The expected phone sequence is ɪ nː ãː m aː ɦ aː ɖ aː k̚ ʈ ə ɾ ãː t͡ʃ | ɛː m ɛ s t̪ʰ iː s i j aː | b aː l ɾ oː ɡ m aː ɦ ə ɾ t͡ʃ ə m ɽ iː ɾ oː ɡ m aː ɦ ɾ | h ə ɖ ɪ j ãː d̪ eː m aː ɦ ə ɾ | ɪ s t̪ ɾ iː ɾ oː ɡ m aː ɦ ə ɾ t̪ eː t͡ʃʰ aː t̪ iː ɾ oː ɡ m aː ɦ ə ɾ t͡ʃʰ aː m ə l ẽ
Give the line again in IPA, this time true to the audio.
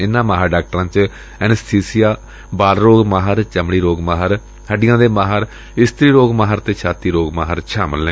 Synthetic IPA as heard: ɪ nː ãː m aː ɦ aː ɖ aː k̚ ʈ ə ɾ ãː t͡ʃ | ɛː n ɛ s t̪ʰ iː s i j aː | b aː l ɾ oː ɡ m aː ɦ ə ɾ t͡ʃ ə m ɽ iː ɾ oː ɡ m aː ɦ ɾ | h ə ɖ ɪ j ãː d̪ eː m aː ɦ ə ɾ | ɪ s t̪ ɾ iː ɾ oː ɡ m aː ɦ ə ɾ t̪ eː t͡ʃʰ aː t̪ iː ɾ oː ɡ m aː ɦ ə ɾ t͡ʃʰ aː m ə l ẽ